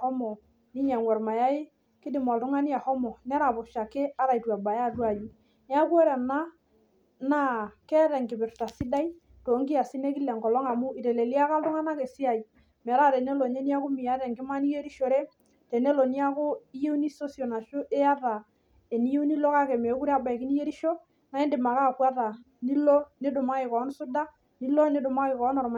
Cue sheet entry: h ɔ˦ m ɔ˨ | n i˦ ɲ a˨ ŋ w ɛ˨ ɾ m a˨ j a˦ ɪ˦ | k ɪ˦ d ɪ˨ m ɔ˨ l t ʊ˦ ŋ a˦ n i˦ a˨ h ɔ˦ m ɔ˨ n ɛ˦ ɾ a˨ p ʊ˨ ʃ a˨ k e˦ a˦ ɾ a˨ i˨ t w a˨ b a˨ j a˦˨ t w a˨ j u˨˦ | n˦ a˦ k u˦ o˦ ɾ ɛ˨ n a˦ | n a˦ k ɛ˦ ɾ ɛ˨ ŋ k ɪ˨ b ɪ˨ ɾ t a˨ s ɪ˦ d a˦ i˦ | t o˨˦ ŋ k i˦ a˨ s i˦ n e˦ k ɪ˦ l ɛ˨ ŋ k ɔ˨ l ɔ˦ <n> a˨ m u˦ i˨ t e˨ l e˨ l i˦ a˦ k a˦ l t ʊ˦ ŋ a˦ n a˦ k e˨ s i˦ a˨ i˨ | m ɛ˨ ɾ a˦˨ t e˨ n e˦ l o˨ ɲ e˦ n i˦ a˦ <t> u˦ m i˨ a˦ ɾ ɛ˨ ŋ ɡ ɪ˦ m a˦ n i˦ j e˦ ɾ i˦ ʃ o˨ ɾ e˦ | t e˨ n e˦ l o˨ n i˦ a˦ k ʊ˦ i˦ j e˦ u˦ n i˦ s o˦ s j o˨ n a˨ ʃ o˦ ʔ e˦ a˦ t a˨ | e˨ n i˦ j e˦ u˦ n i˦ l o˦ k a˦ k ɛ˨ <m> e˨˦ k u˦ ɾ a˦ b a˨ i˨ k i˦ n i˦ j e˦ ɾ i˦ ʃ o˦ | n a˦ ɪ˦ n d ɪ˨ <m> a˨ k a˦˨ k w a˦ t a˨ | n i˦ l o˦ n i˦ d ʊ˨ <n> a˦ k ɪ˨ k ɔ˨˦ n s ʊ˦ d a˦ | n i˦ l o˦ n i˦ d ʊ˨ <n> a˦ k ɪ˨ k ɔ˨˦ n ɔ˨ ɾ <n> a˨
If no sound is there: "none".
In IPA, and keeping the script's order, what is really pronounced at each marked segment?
ŋ, k, m, m, m, m, m

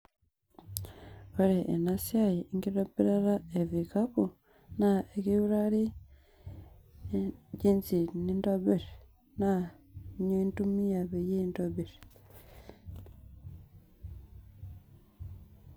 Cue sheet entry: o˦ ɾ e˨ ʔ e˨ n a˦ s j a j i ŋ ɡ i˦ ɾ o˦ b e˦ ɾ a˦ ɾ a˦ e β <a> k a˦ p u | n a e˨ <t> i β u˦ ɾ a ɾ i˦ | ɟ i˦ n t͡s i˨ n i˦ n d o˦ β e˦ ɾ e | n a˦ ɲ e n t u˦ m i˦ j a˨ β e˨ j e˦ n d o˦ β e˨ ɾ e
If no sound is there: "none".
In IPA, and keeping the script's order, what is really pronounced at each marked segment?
i, k

